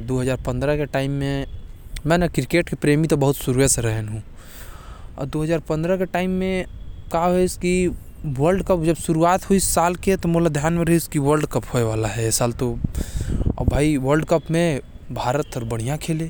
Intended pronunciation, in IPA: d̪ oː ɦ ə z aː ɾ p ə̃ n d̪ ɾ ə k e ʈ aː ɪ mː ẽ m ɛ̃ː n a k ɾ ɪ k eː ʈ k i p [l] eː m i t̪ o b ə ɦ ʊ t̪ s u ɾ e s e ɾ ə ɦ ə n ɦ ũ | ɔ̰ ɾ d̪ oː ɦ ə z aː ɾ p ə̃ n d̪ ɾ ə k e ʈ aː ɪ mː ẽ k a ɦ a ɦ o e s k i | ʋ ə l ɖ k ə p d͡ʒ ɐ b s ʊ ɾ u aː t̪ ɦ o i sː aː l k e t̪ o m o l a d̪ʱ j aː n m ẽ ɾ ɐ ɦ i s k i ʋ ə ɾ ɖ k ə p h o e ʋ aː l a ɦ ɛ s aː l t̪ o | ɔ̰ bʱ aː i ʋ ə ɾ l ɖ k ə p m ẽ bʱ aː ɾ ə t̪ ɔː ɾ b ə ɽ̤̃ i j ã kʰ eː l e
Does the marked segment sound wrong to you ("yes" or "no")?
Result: yes